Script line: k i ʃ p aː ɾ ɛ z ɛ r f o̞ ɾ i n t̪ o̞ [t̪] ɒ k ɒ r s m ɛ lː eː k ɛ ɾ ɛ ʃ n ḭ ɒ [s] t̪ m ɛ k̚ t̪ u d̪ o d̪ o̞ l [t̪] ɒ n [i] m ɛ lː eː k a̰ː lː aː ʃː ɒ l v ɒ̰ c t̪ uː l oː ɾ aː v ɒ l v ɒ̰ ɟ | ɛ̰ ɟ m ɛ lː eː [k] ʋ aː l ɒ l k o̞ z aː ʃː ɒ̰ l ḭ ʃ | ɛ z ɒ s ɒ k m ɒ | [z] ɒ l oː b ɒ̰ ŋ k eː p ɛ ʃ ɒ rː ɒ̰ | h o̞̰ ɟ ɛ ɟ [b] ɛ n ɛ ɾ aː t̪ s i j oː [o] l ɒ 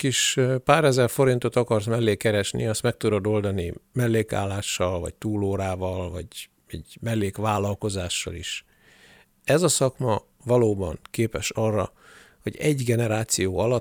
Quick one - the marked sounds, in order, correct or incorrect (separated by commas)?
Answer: correct, correct, incorrect, correct, correct, incorrect, incorrect, incorrect